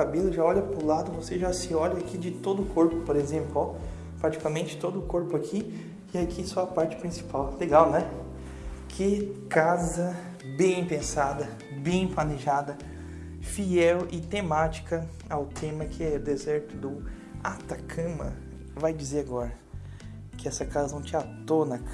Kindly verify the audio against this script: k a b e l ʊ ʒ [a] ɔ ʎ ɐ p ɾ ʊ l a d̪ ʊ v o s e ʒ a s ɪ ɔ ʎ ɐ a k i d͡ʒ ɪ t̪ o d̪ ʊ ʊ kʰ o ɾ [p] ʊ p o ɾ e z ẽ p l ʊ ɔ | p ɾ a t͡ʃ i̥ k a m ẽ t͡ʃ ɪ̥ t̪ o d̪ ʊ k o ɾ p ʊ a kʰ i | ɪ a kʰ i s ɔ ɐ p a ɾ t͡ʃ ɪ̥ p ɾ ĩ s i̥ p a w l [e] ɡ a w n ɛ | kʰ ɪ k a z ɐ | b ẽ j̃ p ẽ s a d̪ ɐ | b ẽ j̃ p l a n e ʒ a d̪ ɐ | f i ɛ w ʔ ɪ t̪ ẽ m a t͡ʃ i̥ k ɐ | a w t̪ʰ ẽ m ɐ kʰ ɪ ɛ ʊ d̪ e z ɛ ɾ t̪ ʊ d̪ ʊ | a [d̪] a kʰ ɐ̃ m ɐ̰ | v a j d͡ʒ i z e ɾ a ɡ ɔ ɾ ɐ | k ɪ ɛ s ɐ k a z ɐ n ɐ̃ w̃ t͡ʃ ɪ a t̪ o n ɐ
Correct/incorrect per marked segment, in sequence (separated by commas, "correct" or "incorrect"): correct, correct, correct, incorrect